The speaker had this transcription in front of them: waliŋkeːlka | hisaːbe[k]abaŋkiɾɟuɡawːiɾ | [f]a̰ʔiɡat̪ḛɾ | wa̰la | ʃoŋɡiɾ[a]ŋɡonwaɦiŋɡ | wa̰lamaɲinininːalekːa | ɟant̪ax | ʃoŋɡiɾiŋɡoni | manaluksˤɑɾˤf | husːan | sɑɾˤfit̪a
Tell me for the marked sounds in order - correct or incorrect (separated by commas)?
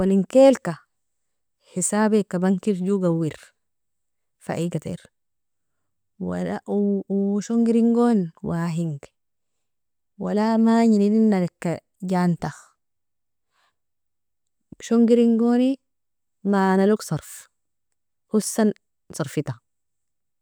correct, correct, incorrect